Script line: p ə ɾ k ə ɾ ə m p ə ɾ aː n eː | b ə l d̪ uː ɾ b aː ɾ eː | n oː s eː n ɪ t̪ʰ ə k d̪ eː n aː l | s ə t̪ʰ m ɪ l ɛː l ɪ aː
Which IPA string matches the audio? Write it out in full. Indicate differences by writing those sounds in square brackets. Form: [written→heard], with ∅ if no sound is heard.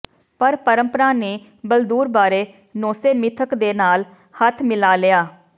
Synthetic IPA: p ə ɾ [k→p] ə ɾ ə m p ə ɾ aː n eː | b ə l d̪ uː ɾ b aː ɾ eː | n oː s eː [n→m] ɪ t̪ʰ ə k d̪ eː n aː l | [s→h] ə t̪ʰ m ɪ l [ɛː→aː] l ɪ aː